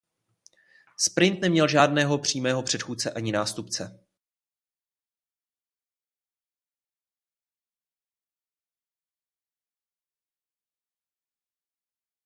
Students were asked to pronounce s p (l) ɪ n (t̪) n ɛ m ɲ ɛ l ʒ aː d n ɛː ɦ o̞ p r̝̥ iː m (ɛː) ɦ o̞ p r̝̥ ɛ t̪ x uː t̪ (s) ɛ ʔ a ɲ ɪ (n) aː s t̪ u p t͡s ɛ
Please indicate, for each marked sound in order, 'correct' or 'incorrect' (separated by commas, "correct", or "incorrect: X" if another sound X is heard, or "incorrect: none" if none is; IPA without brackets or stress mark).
incorrect: ɾ, correct, correct, incorrect: t͡s, correct